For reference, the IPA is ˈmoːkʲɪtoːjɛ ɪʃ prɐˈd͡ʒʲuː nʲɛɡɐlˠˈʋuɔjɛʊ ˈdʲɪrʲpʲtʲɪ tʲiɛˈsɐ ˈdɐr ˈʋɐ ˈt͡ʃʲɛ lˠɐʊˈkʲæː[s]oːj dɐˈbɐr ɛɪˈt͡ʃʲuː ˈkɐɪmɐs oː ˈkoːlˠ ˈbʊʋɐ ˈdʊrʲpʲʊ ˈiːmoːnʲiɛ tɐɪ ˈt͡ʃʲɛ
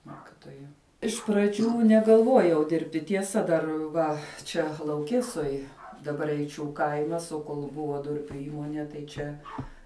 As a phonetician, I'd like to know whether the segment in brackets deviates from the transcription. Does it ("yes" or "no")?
no